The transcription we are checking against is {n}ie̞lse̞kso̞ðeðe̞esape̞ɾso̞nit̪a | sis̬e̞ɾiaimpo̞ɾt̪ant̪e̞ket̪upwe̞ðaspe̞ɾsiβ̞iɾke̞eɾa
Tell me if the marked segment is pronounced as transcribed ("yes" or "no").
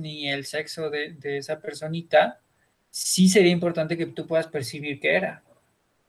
yes